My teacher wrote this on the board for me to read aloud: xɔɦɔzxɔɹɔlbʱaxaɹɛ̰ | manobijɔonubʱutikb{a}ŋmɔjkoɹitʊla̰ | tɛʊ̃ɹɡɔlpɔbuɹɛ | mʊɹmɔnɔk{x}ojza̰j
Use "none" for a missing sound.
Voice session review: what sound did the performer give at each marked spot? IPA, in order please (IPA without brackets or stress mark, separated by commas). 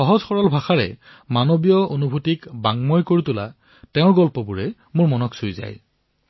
a, s